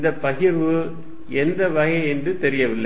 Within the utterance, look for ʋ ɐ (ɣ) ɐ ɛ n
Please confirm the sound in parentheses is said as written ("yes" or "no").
yes